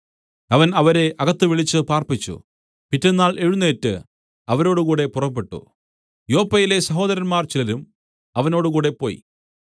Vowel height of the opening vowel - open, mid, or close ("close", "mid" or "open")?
open